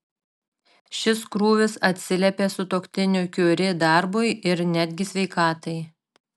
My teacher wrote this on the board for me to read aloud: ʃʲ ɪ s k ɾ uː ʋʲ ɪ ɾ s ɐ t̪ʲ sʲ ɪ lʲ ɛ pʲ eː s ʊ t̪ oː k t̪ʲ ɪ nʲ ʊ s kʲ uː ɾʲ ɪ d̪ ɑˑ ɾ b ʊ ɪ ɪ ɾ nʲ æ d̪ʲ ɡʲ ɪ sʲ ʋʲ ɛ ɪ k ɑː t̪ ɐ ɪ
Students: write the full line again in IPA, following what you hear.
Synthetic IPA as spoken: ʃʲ ɪ s k ɾ uː ʋʲ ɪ s ɐ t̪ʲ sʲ ɪ lʲ ɛ pʲ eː s ʊ t̪ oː k t̪ʲ ɪ nʲ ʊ kʲ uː ɾʲ ɪ d̪ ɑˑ ɾ b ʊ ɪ ɪ ɾ nʲ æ d̪ʲ ɡʲ ɪ sʲ ʋʲ ɛ ɪ k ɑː t̪ ɐ ɪ